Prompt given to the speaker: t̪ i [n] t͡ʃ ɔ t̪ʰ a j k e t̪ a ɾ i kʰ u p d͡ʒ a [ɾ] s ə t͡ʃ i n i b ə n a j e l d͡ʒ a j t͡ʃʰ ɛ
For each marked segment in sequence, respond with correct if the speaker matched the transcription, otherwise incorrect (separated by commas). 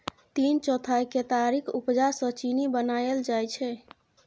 correct, correct